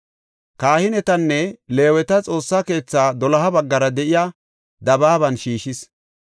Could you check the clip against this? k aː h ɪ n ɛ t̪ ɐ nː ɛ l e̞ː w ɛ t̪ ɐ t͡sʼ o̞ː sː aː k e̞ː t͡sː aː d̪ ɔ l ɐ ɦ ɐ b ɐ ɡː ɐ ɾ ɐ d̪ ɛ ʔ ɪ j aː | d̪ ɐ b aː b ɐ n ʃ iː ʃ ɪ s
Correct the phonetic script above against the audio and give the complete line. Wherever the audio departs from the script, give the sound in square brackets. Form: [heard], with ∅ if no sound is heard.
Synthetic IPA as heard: k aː h ɪ n ɛ t̪ ɐ nː ɛ l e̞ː w ɛ t̪ ɐ t͡sʼ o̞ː sː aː k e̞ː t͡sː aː d̪ ɔ l ɐ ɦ ɐ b ɐ ɡː ɐ ɾ ɐ d̪ ɛ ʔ ɪ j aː | d̪ ɐ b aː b ɐ n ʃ iː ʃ ɪ s